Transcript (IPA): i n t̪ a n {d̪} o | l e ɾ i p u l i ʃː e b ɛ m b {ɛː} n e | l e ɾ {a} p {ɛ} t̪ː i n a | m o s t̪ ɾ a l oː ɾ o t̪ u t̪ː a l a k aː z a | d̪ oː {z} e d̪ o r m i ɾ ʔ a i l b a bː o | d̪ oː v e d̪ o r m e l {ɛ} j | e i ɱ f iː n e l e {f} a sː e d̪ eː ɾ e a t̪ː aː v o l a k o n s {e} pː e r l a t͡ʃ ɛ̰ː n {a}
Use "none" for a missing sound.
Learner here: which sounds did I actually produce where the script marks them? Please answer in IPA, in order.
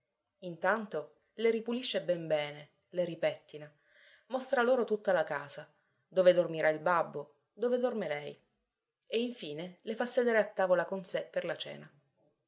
t̪, ɛː, i, ɛ, v, ɛ, f, e, a

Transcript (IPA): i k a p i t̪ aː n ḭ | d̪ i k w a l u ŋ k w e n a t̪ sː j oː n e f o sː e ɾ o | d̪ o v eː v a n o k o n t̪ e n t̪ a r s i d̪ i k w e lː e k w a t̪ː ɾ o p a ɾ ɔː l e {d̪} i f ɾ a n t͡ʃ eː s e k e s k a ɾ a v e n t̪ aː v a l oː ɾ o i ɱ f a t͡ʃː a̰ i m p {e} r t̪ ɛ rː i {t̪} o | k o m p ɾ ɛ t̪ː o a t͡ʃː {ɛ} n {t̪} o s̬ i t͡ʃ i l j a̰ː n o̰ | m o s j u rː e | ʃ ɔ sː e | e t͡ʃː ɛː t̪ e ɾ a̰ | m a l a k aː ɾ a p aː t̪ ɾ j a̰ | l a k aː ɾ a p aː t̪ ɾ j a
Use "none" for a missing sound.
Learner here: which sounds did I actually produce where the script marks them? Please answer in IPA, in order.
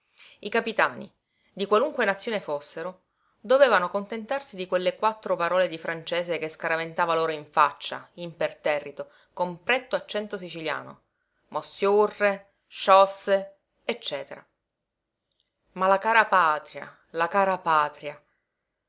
d̪, e, t̪, ɛ, t̪

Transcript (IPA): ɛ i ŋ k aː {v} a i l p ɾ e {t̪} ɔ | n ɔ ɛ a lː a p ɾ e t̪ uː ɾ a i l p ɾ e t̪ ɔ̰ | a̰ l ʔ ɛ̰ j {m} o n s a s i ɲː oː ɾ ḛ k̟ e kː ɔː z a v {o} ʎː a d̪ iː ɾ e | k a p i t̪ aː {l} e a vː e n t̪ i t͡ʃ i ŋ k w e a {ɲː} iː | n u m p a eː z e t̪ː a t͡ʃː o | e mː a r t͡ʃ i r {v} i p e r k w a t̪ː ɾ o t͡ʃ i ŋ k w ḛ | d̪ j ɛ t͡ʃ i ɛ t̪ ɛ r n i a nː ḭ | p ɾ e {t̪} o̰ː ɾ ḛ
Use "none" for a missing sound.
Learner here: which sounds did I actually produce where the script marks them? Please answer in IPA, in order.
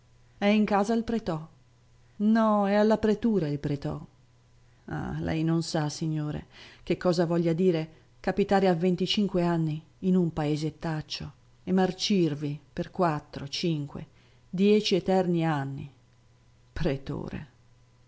z, t̪, n, ɔ, ɾ, nː, v, t̪

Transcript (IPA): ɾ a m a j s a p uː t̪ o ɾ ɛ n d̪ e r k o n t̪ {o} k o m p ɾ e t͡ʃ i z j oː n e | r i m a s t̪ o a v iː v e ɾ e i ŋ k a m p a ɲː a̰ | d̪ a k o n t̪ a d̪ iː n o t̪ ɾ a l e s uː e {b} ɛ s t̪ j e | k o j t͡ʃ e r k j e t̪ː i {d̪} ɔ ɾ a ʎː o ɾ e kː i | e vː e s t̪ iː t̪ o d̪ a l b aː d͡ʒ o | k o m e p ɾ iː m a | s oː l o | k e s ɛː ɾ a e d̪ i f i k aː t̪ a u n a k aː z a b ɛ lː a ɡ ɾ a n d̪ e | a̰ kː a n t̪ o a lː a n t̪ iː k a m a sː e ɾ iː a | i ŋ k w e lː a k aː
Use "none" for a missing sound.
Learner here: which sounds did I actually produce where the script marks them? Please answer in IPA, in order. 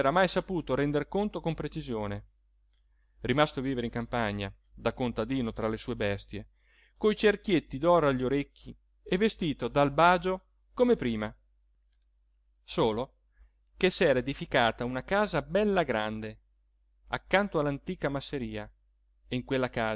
o, b, d̪

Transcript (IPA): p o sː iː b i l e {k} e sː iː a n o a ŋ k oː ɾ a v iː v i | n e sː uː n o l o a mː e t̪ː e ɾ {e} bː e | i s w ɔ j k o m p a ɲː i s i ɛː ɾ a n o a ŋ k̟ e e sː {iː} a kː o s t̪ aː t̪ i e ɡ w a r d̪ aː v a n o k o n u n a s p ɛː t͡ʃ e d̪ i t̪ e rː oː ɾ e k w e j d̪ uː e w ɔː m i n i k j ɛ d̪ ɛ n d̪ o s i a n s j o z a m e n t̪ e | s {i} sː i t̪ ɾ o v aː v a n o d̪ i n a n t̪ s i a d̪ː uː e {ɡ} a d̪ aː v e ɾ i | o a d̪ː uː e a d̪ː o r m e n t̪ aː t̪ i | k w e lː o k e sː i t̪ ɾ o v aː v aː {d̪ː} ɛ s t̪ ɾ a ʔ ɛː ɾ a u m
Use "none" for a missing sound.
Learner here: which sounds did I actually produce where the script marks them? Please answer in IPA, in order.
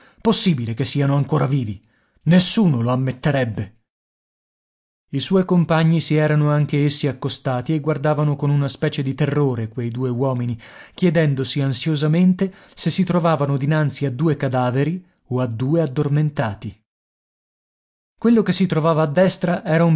k, ɛ, i, e, k, d̪ː

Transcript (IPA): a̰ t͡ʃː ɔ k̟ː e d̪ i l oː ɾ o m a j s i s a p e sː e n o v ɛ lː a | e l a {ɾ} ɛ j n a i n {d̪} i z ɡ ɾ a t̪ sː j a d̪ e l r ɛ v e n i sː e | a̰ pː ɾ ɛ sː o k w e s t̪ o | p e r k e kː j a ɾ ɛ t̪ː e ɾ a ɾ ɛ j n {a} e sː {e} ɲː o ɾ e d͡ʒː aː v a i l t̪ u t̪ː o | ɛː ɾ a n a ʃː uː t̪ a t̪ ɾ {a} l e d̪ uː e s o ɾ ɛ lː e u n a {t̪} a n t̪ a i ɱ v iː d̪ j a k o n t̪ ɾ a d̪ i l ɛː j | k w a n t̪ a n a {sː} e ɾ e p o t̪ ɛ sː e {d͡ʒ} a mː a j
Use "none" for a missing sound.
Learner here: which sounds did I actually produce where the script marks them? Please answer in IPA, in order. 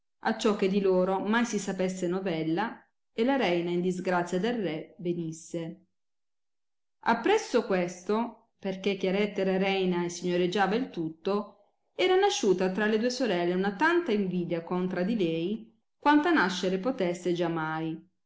ɾ, d̪, a, i, a, t̪, ʃː, d͡ʒ

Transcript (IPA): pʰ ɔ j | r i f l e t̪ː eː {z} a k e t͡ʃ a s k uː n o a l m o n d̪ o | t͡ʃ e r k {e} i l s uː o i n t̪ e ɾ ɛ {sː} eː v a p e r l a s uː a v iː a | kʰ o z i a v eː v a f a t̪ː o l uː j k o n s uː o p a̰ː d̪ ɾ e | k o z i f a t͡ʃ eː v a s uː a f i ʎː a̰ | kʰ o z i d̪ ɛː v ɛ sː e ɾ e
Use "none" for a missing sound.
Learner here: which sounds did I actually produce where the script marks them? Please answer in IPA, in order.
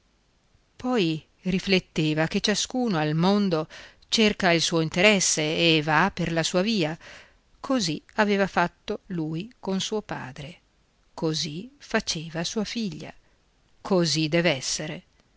v, a, sː

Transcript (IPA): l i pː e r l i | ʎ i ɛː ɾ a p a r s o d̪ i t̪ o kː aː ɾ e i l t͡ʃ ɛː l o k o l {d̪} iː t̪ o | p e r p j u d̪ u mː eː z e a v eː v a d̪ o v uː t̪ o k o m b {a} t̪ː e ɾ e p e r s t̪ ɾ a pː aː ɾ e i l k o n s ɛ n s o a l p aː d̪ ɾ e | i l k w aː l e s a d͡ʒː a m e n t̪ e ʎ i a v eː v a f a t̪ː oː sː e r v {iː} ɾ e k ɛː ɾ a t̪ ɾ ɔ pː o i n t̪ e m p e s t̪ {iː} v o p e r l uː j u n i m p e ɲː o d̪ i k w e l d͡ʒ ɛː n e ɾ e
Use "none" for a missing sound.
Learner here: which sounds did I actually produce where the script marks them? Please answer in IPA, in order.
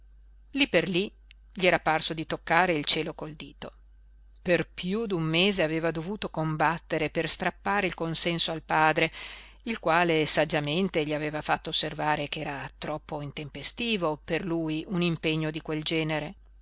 d̪, a, aː, iː

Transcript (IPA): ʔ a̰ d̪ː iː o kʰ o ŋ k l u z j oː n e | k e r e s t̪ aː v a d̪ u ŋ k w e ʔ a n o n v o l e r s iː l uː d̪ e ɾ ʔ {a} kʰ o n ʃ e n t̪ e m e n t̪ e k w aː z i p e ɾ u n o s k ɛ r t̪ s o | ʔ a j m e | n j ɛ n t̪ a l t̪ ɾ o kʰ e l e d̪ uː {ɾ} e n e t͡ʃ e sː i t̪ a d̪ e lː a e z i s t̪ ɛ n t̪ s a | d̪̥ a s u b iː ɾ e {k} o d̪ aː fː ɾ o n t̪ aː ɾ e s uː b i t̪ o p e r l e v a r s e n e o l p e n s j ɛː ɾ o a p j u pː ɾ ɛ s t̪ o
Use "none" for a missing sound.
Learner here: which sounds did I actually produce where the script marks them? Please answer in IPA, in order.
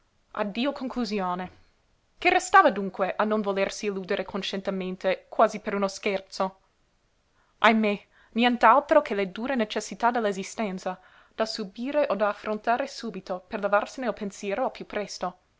e, ɾ, ʔ

